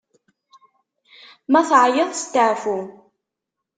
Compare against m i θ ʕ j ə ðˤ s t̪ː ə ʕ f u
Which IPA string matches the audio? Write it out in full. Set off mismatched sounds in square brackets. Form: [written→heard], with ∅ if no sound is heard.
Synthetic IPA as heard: m [i→æ] θ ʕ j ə ðˤ s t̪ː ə ʕ f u